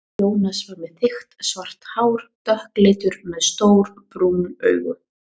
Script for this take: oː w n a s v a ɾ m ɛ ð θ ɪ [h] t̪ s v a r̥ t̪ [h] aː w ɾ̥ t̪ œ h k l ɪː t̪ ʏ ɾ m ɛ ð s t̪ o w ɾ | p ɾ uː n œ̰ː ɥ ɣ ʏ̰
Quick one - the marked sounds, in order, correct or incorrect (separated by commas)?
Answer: incorrect, correct